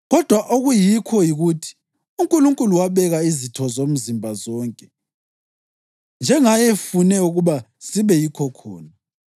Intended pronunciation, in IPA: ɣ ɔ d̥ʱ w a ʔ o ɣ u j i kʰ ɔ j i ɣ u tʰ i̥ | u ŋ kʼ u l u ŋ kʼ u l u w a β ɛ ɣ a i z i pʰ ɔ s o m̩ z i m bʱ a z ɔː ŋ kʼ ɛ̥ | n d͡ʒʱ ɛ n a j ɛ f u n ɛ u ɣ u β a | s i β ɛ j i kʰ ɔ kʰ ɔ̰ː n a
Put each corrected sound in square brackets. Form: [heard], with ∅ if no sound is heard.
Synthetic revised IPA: ɣ ɔ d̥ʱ w a ʔ o ɣ u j i kʰ ɔ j i ɣ u tʰ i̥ | u ŋ kʼ u l u ŋ kʼ u l u w a β ɛ ɣ a i z i [tʰ] ɔ [z] o m̩ z i m bʱ a z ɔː ŋ kʼ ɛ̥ | n d͡ʒʱ ɛ [ŋ] a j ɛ f u n ɛ u ɣ u β a | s i β ɛ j i kʰ ɔ kʰ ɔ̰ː n a